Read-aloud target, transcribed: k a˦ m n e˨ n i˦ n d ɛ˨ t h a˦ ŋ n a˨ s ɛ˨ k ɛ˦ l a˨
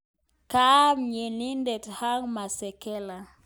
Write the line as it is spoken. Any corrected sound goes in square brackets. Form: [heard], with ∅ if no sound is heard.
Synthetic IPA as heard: k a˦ m [ɲ] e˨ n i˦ n d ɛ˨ t h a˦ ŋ [m] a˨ s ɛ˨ k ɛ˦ l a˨